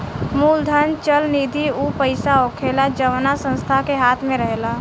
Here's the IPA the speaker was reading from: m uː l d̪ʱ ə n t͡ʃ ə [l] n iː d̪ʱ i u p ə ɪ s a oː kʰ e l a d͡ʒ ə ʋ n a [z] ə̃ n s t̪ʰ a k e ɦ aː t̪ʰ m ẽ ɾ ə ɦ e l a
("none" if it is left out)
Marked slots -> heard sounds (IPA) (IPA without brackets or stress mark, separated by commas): l, s